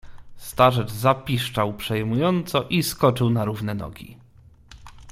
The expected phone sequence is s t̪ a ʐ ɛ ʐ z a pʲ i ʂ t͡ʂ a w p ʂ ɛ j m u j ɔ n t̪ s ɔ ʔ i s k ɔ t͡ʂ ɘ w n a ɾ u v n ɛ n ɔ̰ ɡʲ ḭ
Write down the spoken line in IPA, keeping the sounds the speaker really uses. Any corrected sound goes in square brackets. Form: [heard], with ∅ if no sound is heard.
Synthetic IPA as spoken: s t̪ a ʐ ɛ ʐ z a pʲ i ʂ t͡ʂ a w p ʂ ɛ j m u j ɔ n t̪ s ɔ ʔ i s k ɔ t͡ʂ ɘ w n a ɾ u v n ɛ n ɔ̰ ɡʲ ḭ

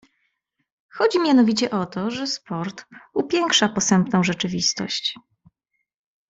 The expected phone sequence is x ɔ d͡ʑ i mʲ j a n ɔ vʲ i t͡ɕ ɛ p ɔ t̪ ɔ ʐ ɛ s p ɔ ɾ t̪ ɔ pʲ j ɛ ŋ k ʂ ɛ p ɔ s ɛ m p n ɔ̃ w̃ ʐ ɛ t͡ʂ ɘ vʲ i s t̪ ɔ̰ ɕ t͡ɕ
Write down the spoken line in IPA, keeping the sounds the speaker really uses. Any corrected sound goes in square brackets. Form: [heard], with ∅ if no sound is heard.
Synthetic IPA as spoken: x ɔ d͡ʑ i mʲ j a n ɔ vʲ i t͡ɕ ɛ [ʔ] ɔ t̪ ɔ ʐ ɛ s p ɔ ɾ t̪ [u] pʲ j ɛ ŋ k ʂ [a] p ɔ s ɛ m p n ɔ̃ w̃ ʐ ɛ t͡ʂ ɘ vʲ i s t̪ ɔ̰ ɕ t͡ɕ

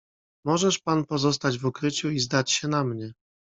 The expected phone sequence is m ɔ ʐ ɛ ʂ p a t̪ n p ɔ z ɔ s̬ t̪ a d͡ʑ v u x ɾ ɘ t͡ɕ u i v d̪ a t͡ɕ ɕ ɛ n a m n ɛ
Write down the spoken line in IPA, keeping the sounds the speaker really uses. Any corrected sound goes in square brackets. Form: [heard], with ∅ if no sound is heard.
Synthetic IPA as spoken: m ɔ ʐ ɛ ʂ p a [∅] n p ɔ z ɔ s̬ t̪ a d͡ʑ v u [k] ɾ ɘ t͡ɕ u i [z] d̪ a t͡ɕ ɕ ɛ n a m [ɲ] ɛ

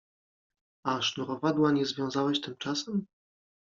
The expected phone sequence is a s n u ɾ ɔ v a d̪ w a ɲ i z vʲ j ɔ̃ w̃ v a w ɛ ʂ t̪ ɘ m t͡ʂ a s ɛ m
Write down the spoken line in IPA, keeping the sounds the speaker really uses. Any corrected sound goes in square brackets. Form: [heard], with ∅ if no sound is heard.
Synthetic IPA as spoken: a [ʂ] n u ɾ ɔ v a d̪ w a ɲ [ɛ] z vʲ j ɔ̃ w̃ [z] a w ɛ [ɕ] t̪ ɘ m t͡ʂ a s ɛ m

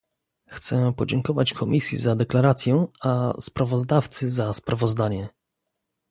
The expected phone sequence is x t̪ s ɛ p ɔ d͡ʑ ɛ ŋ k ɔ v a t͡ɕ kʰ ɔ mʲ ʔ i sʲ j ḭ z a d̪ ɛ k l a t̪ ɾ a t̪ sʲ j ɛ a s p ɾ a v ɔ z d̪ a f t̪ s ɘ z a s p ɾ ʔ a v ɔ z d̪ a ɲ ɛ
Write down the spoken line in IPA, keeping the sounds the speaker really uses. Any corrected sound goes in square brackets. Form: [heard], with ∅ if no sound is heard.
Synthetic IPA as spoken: x t̪ s ɛ p ɔ d͡ʑ ɛ ŋ k ɔ v a t͡ɕ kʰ ɔ mʲ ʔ i sʲ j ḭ z a d̪ ɛ k l a [∅] ɾ a t̪ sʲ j ɛ a s p ɾ a v ɔ z d̪ a f t̪ s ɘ z a s p ɾ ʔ a v ɔ z d̪ a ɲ ɛ

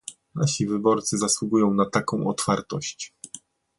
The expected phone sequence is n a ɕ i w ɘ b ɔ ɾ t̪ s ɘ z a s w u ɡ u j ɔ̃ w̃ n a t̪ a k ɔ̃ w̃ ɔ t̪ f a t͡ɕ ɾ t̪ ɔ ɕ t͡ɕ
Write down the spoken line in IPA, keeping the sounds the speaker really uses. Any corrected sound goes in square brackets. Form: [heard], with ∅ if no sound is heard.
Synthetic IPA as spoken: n a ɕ i [v] ɘ b ɔ ɾ t̪ s ɘ z a s w u ɡ u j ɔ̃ w̃ n a t̪ a k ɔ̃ w̃ ɔ t̪ f a [∅] ɾ t̪ ɔ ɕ t͡ɕ

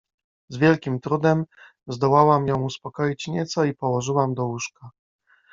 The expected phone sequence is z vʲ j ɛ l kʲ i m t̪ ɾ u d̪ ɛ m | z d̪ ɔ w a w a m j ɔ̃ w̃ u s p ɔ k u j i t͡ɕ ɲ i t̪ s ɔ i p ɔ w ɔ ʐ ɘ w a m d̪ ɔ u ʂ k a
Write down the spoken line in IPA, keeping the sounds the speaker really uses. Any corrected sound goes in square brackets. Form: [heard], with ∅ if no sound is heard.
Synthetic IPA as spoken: z vʲ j ɛ l kʲ i m t̪ ɾ u d̪ ɛ m | z d̪ ɔ w a w a m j ɔ̃ w̃ u s p ɔ k [ɔ] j i t͡ɕ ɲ [ɛ] t̪ s ɔ i p ɔ w ɔ ʐ ɘ w a m d̪ ɔ u ʂ k a

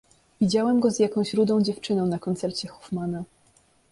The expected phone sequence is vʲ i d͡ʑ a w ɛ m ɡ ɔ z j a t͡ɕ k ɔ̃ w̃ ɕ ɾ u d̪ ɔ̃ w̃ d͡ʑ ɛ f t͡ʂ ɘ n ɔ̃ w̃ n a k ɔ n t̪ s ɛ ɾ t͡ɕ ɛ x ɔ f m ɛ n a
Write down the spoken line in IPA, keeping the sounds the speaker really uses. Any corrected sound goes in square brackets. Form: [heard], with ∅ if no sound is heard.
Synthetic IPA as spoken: vʲ i d͡ʑ a w ɛ m ɡ ɔ z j a [∅] k ɔ̃ w̃ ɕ ɾ u d̪ ɔ̃ w̃ d͡ʑ ɛ f t͡ʂ ɘ n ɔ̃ w̃ n a k ɔ n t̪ s ɛ ɾ t͡ɕ ɛ x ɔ f m [a] n a

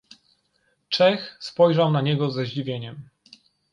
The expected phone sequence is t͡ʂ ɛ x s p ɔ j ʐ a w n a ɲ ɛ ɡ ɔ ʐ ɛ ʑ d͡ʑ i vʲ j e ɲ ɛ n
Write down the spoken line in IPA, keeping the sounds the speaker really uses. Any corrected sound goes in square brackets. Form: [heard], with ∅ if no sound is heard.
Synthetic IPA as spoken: t͡ʂ ɛ x s p ɔ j ʐ a w n a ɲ ɛ ɡ ɔ [z] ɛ ʑ d͡ʑ i vʲ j e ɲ ɛ [m]

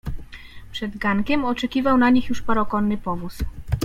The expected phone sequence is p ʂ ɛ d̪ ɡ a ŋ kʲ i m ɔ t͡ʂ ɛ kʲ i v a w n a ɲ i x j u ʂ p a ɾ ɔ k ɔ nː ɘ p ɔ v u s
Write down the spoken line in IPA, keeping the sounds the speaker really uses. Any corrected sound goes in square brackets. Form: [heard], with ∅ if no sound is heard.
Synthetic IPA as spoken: p ʂ ɛ d̪ ɡ a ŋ kʲ [ɛ] m ɔ t͡ʂ ɛ kʲ i v a w n a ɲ i x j u ʂ p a ɾ ɔ k ɔ nː ɘ p ɔ v u s

